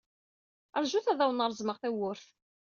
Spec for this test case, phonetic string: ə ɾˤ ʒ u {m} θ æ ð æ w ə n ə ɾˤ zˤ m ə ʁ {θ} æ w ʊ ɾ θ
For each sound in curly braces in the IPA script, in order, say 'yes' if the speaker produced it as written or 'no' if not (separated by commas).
no, yes